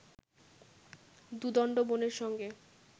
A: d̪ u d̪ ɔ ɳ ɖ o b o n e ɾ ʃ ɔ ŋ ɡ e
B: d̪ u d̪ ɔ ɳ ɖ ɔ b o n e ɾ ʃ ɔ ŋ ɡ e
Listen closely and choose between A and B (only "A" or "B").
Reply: A